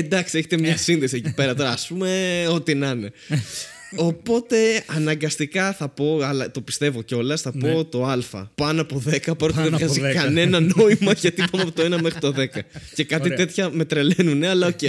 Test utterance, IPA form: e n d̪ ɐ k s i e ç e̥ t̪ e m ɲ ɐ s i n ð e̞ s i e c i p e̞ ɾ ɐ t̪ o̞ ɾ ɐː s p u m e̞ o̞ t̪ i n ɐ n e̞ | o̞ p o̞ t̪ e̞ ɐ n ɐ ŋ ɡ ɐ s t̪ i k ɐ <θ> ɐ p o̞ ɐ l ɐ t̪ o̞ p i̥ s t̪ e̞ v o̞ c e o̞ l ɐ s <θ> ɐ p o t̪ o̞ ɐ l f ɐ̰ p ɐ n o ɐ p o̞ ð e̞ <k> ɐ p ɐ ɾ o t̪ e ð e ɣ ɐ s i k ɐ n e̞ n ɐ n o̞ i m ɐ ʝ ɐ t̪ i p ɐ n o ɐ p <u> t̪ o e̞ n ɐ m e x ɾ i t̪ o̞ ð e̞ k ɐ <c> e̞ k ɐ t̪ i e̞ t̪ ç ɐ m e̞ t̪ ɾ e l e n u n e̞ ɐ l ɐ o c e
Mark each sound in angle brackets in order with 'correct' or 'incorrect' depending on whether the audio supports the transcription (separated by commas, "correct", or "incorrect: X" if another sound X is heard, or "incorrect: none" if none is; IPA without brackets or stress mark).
correct, correct, correct, incorrect: o, correct